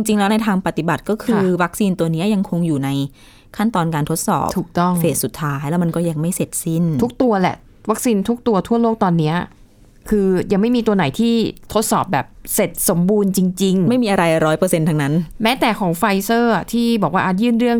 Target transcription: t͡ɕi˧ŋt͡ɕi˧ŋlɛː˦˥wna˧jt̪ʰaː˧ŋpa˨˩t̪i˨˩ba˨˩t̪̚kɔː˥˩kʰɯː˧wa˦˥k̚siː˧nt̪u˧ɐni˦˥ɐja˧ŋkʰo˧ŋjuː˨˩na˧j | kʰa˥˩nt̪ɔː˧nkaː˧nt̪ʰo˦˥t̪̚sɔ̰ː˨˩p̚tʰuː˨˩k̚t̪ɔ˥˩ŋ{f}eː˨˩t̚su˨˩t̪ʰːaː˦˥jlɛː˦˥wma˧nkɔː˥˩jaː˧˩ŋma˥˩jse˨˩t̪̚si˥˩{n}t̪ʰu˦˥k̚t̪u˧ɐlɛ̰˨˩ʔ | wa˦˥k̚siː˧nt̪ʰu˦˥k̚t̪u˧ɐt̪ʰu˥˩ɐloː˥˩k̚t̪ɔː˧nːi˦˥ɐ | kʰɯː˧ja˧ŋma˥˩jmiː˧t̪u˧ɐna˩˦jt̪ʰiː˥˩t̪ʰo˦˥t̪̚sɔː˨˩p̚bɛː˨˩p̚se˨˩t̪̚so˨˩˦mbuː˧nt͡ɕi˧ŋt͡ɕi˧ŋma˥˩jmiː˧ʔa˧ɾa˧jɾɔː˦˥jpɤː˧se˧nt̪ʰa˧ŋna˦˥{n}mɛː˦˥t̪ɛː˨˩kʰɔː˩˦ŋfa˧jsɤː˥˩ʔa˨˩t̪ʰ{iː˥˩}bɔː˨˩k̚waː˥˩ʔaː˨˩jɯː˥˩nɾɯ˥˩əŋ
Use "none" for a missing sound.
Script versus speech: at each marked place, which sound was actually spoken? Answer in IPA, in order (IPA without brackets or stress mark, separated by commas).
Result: f, n, n, iː˥˩